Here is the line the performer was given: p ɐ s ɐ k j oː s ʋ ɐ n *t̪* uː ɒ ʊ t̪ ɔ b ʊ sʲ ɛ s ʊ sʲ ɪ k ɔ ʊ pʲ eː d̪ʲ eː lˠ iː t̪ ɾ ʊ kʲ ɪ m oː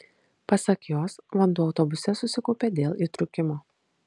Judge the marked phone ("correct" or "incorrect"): incorrect